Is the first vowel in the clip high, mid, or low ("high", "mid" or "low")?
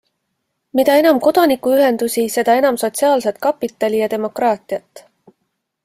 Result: high